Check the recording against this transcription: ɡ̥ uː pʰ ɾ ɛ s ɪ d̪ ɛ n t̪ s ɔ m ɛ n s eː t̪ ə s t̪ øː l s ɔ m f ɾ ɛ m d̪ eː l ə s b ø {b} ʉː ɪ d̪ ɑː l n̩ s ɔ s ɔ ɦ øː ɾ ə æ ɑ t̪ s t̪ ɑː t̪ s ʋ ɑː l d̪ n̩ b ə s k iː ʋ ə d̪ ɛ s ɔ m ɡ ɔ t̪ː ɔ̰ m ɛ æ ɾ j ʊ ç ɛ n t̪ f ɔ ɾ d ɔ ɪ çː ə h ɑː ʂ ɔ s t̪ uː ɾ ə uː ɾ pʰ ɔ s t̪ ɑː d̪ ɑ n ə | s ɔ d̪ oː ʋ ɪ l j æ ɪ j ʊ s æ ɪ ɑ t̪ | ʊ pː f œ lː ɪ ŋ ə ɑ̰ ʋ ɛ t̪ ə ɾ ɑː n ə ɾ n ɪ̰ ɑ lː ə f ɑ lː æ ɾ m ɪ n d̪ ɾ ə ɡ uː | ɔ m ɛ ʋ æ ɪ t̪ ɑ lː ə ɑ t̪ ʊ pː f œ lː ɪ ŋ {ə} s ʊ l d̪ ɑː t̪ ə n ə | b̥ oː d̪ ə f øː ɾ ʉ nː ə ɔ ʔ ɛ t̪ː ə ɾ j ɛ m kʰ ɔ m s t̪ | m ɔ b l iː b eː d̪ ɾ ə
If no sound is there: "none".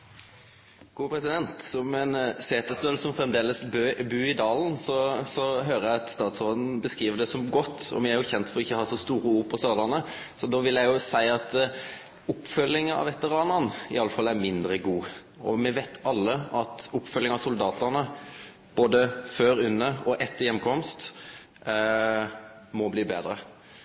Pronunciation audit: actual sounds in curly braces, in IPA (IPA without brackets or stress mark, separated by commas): b, ɑ